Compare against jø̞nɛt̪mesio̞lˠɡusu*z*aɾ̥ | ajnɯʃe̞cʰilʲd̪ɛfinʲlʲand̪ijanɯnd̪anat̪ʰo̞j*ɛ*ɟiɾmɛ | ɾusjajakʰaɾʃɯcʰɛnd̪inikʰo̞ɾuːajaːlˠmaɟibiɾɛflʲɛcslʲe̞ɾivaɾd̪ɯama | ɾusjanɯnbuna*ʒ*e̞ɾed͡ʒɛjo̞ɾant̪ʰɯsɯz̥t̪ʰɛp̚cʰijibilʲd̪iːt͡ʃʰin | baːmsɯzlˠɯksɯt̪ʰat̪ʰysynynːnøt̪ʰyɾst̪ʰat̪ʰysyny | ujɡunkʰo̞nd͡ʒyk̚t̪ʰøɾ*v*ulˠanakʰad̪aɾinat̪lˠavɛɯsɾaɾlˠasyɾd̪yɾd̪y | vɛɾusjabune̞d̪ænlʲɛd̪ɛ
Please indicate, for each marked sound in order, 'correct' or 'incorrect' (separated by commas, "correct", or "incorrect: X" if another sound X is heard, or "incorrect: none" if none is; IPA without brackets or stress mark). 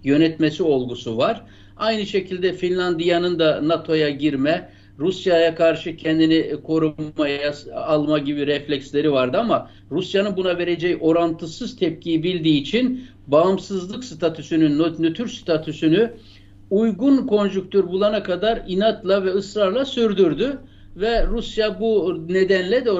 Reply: incorrect: v, incorrect: a, incorrect: v, incorrect: b